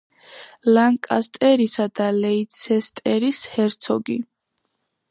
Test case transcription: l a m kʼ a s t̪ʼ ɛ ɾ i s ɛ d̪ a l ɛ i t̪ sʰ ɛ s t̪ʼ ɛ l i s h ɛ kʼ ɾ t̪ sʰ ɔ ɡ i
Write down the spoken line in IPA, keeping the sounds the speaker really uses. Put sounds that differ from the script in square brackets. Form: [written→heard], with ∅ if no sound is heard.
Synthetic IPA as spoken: l a [m→ŋ] kʼ a s t̪ʼ ɛ ɾ i s [ɛ→a] d̪ a l ɛ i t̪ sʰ ɛ s t̪ʼ ɛ [l→ɾ] i s h ɛ [kʼ→∅] ɾ t̪ sʰ ɔ ɡ i